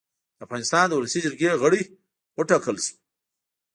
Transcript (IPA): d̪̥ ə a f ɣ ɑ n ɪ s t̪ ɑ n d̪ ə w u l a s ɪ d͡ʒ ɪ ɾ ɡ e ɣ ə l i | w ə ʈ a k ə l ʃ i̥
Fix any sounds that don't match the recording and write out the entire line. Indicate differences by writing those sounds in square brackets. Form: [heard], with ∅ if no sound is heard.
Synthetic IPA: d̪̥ ə a f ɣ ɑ n ɪ s t̪ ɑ n d̪ ə w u l a s [i] d͡ʒ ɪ ɾ ɡ e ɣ ə [ɽ] i | w ə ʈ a k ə l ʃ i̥